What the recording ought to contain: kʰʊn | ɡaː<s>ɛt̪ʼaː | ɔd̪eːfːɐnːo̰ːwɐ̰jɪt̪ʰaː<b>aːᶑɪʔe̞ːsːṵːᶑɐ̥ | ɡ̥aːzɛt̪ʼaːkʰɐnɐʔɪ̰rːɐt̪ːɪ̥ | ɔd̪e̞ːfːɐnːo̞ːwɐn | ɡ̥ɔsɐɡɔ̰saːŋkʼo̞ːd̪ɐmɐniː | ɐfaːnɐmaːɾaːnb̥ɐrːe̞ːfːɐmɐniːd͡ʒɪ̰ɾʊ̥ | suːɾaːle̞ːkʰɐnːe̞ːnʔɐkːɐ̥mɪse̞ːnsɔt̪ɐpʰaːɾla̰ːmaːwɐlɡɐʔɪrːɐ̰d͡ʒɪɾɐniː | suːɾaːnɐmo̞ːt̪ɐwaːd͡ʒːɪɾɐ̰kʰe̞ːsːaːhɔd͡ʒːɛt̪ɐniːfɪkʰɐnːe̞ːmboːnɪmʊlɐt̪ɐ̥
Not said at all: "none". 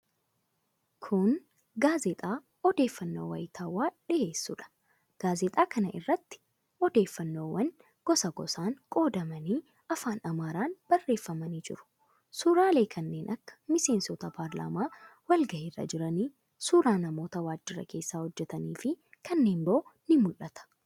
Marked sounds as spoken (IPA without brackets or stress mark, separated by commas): z, w